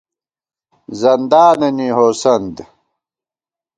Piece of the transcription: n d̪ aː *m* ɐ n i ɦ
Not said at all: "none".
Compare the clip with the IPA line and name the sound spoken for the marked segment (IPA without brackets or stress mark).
n